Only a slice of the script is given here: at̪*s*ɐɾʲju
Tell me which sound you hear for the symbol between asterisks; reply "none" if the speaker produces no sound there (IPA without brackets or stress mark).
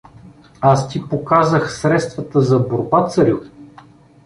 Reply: s